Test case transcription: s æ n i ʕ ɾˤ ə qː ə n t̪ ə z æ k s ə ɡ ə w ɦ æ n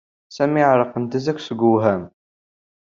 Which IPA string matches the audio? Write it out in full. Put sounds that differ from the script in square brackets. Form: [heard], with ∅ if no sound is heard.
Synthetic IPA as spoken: s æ [m] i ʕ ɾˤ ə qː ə n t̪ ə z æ k s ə ɡ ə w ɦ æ [m]